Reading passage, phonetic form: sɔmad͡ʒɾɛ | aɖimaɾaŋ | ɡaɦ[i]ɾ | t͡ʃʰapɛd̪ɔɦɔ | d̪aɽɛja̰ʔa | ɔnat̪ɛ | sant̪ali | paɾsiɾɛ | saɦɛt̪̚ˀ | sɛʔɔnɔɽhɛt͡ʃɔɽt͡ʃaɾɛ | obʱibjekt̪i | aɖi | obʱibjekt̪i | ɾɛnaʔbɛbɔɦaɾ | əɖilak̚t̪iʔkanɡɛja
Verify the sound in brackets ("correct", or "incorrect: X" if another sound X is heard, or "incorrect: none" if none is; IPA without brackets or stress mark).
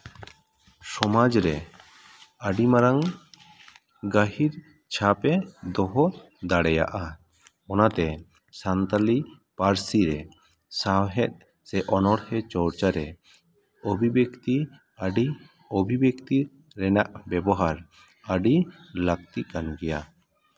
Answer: correct